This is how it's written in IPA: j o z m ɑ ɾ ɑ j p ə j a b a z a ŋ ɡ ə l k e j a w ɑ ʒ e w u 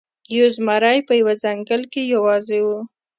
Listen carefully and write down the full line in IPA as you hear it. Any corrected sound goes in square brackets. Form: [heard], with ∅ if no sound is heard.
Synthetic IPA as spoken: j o z m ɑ ɾ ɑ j p ə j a [w] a z a ŋ ɡ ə l k e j a w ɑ [z] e w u